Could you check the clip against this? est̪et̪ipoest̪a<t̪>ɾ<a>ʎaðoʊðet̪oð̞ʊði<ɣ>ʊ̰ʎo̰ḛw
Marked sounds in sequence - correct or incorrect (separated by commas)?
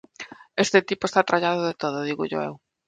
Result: correct, correct, correct